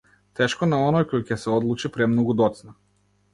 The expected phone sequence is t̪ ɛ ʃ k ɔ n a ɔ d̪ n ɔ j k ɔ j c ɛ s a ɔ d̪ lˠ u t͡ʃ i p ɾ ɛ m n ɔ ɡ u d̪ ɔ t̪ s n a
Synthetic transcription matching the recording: t̪ ɛ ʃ k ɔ n a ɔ n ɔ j k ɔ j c ɛ s ɛ ɔ d̪ lˠ u t͡ʃ i p ɾ ɛ m n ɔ ɡ u d̪ ɔ t̪ s n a